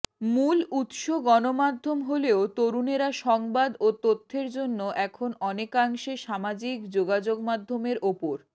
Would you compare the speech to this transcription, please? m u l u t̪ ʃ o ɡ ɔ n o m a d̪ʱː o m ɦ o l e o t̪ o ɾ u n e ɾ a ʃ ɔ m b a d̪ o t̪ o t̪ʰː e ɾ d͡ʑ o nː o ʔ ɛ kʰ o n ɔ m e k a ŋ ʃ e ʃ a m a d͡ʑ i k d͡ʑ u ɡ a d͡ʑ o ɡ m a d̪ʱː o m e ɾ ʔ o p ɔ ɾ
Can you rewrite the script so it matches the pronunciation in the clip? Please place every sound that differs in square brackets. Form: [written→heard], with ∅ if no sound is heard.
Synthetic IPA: m u l u t̪ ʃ o ɡ ɔ n o m a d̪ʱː o m ɦ o l e o t̪ o ɾ u n e ɾ a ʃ ɔ [m→ŋ] b a d̪ o t̪ o t̪ʰː e ɾ d͡ʑ o nː o ʔ ɛ kʰ o n ɔ [m→n] e k a ŋ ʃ e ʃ a m a d͡ʑ i k d͡ʑ [u→o] ɡ a d͡ʑ o ɡ m a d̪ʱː o m e ɾ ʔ o p [ɔ→o] ɾ